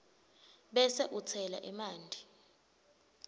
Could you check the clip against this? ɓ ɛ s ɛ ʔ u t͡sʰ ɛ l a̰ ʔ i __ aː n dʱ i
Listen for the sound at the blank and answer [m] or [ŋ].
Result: m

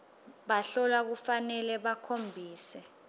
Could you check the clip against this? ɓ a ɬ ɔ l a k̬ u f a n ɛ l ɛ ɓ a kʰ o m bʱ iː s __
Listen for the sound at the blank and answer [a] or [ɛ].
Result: ɛ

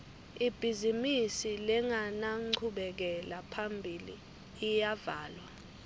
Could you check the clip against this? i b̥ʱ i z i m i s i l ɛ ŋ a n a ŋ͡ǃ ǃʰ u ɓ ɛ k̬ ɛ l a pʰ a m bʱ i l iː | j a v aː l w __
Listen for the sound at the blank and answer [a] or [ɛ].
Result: a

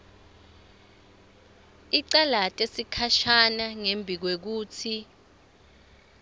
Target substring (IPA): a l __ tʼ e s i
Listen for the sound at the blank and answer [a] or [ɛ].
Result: a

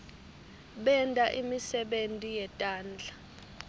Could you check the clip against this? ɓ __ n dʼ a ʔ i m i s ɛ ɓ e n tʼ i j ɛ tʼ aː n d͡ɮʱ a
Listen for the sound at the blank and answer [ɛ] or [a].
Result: ɛ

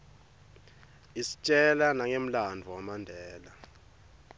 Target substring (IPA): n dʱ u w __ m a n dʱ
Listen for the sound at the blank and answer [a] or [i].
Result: a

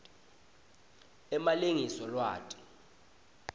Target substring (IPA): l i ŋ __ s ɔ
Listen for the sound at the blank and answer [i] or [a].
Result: i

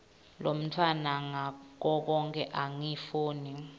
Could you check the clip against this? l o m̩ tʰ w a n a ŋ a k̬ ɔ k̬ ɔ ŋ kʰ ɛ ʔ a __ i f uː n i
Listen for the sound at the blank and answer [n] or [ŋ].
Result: ŋ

